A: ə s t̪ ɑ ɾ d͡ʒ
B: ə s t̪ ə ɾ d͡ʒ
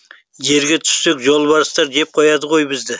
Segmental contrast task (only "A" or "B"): A